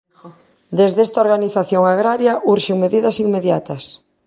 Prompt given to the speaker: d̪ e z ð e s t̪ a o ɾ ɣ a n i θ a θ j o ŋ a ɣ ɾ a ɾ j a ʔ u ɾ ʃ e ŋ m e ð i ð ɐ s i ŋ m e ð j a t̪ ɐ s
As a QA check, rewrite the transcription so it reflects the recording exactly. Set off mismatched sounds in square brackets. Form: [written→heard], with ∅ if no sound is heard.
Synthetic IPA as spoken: d̪ e z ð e s t̪ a o ɾ ɣ a n i θ a θ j o ŋ a ɣ ɾ a ɾ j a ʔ u ɾ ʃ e ŋ m e ð i ð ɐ s i ŋ m e ð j a t̪ ɐ s